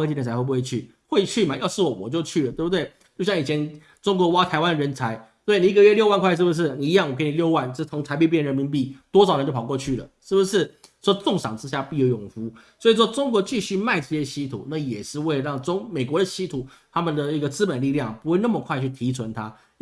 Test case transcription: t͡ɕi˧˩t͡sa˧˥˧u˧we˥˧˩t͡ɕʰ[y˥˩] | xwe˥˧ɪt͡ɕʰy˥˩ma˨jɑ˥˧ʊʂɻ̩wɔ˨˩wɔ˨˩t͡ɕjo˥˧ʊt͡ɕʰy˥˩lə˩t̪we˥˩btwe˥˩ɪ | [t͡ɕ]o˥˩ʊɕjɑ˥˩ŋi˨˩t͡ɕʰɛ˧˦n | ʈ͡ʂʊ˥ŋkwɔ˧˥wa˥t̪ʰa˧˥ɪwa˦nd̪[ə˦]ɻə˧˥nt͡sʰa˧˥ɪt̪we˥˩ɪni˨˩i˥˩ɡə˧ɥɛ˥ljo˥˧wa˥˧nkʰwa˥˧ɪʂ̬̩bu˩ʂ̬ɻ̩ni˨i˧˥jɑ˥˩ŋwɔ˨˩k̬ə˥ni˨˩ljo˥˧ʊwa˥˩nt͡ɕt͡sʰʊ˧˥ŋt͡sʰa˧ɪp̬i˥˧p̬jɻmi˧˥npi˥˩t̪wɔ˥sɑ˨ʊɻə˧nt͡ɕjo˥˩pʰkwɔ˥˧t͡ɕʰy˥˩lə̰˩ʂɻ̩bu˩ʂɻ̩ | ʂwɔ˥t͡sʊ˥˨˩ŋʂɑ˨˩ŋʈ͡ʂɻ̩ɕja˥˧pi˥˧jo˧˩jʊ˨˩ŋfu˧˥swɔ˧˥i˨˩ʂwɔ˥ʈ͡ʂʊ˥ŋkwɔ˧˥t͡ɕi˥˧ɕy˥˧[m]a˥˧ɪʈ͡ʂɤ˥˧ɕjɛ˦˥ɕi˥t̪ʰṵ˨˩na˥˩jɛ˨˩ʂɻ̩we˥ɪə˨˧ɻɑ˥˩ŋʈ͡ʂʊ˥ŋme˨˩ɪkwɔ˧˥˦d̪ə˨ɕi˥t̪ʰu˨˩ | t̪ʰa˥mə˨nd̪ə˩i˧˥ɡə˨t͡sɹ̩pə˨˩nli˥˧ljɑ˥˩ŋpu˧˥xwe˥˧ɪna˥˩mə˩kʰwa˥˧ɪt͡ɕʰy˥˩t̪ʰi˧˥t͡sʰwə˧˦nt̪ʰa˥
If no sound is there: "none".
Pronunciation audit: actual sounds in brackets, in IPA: y˥˩, t͡ɕ, ə˨, m

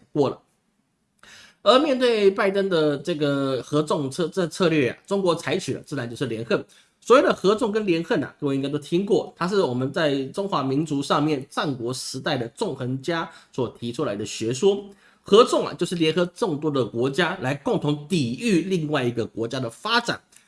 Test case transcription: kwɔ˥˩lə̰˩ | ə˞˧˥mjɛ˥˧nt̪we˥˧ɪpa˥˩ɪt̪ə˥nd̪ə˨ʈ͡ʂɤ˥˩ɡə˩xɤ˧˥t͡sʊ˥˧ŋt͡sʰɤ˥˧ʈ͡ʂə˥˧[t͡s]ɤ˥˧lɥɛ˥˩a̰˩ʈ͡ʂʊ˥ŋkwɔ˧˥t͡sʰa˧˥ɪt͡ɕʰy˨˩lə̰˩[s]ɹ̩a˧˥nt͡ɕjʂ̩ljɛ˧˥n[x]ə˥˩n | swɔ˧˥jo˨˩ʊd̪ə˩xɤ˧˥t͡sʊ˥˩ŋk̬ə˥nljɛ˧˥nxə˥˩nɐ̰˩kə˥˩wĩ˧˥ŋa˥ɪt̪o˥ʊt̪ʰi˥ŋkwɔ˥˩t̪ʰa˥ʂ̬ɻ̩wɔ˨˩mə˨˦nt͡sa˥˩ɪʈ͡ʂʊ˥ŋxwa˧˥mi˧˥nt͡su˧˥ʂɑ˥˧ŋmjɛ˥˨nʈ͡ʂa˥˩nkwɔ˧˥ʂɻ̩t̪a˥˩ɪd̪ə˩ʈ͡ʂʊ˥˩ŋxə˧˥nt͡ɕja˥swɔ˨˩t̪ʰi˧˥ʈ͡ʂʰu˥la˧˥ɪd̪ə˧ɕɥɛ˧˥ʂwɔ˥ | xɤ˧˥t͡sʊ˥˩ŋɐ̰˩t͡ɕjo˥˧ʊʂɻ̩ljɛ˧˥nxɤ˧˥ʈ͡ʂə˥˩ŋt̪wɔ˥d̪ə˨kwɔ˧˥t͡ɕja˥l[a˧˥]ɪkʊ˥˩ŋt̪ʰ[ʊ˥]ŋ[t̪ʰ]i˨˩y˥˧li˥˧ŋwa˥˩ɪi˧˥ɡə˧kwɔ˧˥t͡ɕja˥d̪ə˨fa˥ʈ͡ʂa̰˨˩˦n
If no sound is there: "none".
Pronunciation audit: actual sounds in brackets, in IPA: t͡sʰ, t͡s, x, a˧˥, ʊ˧˥, t̪

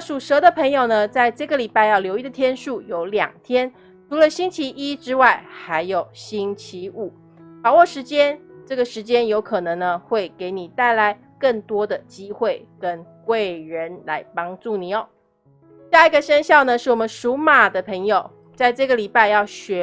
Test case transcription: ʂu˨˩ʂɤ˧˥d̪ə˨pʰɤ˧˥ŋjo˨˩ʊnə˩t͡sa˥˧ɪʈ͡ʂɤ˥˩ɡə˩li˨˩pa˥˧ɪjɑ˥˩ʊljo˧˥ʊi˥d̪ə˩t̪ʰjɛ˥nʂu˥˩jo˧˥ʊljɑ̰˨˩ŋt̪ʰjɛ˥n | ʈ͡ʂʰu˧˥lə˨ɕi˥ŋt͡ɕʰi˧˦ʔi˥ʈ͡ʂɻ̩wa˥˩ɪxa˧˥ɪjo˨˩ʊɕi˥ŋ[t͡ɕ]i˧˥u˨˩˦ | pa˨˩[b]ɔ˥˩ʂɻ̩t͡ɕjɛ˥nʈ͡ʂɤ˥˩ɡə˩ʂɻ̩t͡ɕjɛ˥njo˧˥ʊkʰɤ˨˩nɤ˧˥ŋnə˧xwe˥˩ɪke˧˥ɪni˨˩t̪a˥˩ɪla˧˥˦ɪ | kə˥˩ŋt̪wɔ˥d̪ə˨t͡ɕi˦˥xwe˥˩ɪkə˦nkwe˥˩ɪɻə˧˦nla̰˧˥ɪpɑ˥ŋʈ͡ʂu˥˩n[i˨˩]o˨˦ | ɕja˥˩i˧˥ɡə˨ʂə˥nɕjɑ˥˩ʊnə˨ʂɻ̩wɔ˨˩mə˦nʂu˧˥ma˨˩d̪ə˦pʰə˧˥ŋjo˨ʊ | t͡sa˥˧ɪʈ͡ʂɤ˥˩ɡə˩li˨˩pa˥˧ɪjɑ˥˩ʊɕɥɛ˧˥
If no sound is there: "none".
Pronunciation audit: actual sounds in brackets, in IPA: t͡ɕʰ, w, i˨˩

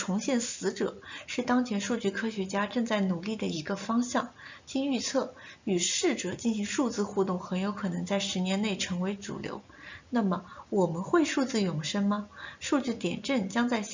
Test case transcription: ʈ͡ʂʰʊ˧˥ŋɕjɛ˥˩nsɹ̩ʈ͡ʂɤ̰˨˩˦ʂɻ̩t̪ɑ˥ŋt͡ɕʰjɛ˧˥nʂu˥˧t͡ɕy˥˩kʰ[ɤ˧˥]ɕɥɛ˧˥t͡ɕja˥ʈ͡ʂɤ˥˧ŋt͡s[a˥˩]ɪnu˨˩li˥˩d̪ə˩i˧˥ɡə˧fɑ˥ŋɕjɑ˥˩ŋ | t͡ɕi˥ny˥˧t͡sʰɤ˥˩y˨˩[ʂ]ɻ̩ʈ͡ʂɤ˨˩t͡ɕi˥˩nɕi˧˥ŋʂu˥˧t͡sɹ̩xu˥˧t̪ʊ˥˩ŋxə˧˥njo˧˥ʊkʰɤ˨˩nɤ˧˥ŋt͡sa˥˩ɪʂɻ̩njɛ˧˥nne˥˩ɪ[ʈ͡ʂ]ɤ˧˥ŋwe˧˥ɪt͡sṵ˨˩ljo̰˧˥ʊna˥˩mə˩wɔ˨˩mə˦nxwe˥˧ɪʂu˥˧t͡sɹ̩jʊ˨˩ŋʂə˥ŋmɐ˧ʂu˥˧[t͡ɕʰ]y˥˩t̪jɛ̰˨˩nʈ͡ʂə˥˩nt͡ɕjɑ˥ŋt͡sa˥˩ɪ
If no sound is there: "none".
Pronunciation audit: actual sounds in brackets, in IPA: ɤ˥, a˥˩, ʂ, ʈ͡ʂʰ, t͡ɕ

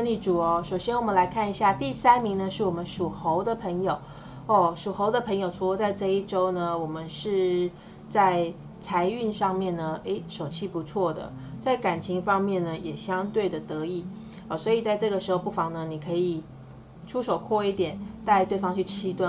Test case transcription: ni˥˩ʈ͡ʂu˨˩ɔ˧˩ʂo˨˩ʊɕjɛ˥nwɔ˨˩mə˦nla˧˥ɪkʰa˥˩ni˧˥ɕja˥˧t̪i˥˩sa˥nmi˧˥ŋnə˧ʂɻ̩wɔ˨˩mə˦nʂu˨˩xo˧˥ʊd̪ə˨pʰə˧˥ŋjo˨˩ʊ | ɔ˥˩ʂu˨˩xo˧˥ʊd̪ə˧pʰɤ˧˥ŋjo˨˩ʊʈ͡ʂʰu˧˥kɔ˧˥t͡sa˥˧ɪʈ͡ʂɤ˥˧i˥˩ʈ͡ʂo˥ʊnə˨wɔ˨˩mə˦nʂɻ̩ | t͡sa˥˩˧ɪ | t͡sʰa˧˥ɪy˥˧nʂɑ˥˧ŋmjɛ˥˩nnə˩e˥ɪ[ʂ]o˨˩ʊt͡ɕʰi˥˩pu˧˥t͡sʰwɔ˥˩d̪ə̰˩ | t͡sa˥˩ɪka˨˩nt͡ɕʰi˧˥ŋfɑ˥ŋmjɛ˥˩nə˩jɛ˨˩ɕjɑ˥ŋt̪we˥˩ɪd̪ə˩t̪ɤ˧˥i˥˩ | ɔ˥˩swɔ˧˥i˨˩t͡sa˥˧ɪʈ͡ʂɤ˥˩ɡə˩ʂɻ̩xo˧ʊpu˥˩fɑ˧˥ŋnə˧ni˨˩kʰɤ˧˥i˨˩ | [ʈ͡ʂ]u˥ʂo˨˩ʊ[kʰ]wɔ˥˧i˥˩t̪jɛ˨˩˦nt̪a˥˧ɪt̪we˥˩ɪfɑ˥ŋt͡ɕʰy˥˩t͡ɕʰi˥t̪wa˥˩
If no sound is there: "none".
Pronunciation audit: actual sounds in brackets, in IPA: ʂ, ʈ͡ʂʰ, kʰ

